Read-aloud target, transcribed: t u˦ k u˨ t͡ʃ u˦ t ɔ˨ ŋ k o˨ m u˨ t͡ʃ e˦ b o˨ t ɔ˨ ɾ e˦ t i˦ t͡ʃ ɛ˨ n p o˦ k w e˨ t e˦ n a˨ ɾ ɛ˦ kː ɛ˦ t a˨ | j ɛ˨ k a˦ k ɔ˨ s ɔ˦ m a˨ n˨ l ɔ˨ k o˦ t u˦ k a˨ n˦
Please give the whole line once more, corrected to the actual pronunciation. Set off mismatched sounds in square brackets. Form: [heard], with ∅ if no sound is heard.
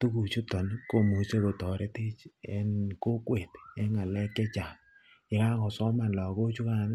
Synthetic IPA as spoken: t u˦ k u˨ t͡ʃ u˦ t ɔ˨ [n] k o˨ m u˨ t͡ʃ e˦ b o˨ t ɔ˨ ɾ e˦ t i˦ t͡ʃ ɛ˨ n [k] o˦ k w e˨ t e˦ [ŋ] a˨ [l] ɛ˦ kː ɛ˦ [t͡ʃ] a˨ | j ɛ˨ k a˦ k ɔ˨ s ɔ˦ m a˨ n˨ l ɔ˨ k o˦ [t͡ʃ] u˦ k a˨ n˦